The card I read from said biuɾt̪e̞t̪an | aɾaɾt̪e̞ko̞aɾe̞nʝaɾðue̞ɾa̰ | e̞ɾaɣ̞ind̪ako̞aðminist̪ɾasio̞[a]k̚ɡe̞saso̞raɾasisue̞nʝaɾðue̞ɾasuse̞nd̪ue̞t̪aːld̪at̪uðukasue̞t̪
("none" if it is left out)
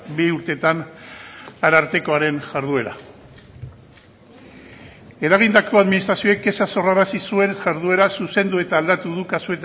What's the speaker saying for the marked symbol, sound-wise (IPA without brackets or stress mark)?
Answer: e